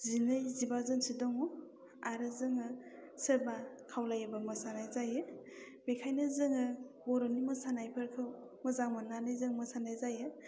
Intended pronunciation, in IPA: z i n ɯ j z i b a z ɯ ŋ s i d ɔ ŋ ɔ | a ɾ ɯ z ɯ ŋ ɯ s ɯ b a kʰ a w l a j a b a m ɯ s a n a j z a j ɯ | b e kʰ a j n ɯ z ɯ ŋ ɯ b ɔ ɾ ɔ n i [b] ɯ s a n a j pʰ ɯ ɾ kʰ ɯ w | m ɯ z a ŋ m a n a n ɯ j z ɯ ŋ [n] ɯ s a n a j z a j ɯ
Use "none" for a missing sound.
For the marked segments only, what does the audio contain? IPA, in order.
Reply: m, m

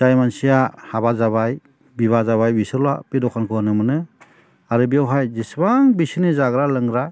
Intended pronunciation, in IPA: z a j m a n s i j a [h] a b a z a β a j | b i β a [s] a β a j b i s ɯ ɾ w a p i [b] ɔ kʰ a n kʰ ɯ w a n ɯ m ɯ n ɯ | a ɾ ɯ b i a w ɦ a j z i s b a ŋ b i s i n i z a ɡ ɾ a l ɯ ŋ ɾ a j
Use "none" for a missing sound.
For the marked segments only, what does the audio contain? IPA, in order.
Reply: h, z, d

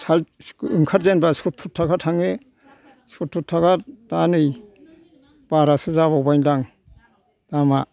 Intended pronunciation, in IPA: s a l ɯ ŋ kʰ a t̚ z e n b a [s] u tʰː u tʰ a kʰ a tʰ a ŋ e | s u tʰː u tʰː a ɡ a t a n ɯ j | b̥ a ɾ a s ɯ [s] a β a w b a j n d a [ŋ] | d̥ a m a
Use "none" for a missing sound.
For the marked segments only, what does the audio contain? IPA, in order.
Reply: s, z, ŋ

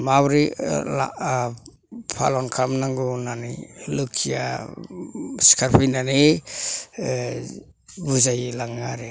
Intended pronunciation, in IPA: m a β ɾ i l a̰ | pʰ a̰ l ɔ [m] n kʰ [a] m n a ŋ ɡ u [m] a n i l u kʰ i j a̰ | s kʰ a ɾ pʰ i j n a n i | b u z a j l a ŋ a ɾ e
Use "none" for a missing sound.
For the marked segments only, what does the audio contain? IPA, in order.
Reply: none, a, n

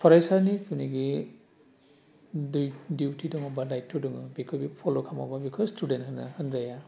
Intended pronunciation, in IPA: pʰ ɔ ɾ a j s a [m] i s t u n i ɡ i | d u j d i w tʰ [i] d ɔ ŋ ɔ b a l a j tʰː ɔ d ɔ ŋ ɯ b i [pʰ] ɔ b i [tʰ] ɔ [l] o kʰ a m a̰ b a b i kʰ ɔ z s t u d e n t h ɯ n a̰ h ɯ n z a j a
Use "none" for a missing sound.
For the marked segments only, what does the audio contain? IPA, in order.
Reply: n, i, kʰ, pʰ, l

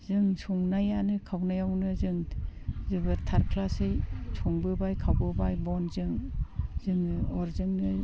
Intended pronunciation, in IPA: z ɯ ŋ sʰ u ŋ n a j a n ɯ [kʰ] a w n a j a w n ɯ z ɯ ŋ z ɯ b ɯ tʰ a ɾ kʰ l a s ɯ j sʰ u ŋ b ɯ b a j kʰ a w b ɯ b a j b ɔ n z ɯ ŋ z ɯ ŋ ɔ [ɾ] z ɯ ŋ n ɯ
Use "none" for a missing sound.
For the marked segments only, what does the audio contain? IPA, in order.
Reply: kʰ, ɾ

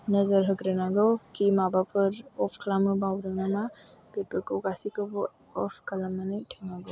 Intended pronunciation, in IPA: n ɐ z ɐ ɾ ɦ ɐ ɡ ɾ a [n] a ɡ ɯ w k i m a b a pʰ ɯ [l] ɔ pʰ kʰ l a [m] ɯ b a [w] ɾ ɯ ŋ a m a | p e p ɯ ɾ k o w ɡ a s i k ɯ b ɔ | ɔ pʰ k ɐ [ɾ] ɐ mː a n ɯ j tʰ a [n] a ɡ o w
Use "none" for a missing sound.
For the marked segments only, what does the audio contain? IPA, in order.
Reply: n, ɾ, m, w, l, ŋ

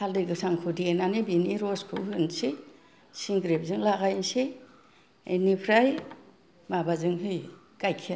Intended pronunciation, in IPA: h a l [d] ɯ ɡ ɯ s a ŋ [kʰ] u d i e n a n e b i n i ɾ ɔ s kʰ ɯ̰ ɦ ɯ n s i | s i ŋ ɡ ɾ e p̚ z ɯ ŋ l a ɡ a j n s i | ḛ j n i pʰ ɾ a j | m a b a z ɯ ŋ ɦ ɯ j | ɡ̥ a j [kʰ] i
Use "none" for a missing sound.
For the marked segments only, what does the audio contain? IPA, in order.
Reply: d, kʰ, kʰ

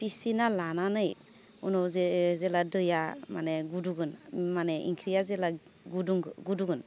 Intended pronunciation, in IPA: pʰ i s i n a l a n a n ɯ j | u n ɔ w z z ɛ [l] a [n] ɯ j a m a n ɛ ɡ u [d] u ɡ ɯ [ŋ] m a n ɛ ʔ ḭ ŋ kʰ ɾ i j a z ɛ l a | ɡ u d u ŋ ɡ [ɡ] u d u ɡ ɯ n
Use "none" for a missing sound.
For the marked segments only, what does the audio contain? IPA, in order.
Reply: l, d, d, n, ɡ

